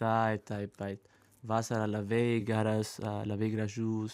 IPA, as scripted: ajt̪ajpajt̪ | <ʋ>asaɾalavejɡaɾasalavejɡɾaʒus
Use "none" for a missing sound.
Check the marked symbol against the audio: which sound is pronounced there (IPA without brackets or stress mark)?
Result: v